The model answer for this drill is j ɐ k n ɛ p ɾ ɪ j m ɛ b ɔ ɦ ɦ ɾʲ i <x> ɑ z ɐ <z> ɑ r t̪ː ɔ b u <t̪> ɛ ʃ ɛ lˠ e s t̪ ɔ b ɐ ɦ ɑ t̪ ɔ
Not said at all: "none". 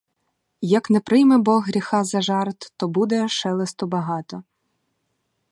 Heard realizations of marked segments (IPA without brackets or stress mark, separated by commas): x, ʒ, d̪